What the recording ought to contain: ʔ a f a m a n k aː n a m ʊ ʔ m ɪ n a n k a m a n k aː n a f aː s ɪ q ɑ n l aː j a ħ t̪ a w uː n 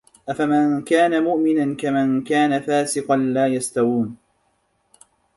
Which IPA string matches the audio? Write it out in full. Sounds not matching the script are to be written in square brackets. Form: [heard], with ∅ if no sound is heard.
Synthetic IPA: ʔ a f a m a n k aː n a m ʊ ʔ m ɪ n a n k a m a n k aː n a f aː s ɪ q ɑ n l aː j a [s] t̪ a w uː n